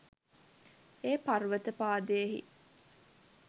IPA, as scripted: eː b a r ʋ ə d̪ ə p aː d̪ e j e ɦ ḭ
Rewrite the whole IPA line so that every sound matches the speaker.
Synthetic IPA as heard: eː p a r ʋ ə t̪ ə p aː d̪ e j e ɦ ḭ